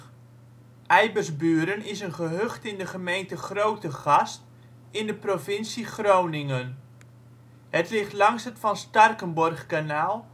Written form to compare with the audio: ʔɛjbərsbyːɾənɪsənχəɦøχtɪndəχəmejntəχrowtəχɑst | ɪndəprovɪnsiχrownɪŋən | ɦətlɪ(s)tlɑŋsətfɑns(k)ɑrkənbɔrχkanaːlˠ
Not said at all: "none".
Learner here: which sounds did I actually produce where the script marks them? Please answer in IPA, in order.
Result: χ, t

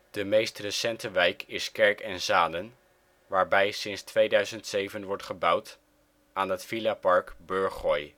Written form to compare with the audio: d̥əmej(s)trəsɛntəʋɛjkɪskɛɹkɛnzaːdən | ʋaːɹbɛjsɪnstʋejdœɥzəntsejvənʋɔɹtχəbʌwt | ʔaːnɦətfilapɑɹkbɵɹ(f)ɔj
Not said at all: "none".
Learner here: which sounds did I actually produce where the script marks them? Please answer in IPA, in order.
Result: s, χ

